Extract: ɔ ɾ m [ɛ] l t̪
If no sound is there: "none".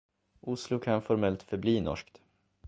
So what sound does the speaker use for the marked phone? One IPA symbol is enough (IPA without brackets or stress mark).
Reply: ɛ